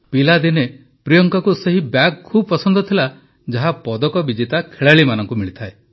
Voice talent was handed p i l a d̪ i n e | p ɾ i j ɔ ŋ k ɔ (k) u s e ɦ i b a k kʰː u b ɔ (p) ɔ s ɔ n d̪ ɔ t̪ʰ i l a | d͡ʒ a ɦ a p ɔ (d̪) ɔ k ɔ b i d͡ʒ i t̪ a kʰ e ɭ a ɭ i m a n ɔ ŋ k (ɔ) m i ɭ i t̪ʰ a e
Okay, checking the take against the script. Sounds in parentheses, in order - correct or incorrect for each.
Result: correct, correct, correct, incorrect: u

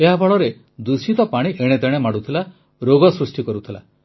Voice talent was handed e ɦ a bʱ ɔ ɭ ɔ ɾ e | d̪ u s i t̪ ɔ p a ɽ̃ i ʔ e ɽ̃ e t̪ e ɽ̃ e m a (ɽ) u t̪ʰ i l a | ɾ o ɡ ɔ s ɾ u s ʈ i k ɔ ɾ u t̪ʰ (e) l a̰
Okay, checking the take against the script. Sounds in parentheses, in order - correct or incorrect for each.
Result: correct, incorrect: i

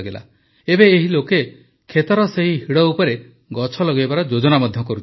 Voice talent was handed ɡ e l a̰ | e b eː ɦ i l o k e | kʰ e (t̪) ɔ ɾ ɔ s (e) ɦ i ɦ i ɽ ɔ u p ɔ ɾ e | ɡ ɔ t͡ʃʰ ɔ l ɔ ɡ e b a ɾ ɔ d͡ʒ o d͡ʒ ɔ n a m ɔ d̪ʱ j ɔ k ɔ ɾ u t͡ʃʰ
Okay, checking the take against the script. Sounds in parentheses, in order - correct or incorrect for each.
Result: correct, correct

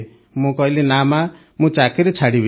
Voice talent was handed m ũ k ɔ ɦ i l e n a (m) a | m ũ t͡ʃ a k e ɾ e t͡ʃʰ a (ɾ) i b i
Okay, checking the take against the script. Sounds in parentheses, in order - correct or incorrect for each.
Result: correct, incorrect: ɽ

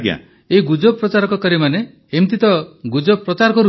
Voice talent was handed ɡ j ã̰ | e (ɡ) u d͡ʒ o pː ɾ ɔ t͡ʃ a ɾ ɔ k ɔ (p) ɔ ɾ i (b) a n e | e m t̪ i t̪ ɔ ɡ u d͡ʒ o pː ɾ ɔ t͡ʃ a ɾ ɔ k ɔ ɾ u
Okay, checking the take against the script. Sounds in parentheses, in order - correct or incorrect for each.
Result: correct, incorrect: k, incorrect: m

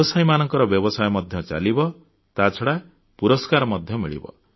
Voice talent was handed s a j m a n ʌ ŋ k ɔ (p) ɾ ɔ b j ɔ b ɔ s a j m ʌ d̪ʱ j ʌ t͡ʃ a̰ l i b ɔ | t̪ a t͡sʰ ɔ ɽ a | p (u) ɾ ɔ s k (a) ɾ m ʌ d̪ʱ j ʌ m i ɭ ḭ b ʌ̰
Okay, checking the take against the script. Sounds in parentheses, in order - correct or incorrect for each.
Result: incorrect: none, correct, correct

